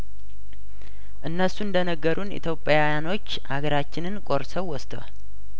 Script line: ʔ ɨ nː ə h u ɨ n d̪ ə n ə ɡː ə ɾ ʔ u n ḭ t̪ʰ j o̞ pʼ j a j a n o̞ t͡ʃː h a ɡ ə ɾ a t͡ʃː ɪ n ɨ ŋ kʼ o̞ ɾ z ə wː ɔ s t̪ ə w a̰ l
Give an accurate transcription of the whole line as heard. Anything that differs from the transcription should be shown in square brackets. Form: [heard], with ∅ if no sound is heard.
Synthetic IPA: ʔ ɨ nː ə [s] u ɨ n d̪ ə n ə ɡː ə ɾ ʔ u n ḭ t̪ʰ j o̞ pʼ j a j a n o̞ t͡ʃː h a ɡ ə ɾ a t͡ʃː ɪ n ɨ [n] kʼ o̞ ɾ [s] ə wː ɔ s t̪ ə w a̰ l